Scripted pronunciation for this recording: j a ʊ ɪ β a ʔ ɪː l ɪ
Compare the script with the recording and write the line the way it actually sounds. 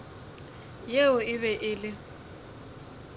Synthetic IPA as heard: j e ʊ ɪ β ɛ ʔ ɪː l ɪ